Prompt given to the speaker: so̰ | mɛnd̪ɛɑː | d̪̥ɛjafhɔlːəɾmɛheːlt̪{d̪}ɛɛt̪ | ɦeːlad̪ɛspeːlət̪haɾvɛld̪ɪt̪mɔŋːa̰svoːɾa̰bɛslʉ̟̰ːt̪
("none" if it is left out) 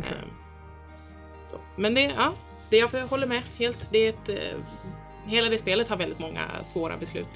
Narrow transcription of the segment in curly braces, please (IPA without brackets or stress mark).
d̪